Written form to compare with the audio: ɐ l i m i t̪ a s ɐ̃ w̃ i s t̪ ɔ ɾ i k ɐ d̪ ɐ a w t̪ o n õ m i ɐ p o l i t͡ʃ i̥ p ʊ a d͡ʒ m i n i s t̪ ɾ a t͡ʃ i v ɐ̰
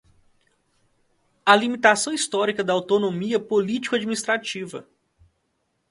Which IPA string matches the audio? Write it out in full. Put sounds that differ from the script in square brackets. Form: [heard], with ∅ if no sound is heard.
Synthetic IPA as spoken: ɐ l i m i t̪ a s ɐ̃ w̃ i s t̪ ɔ ɾ i k ɐ d̪ ɐ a w t̪ o n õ m i ɐ p o l i t͡ʃ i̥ [k] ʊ a d͡ʒ m i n i s t̪ ɾ a t͡ʃ i v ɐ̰